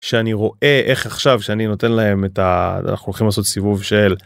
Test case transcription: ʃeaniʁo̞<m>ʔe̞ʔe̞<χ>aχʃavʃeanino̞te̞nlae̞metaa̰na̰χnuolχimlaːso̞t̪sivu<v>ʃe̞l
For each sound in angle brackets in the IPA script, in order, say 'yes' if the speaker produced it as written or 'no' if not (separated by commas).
no, yes, yes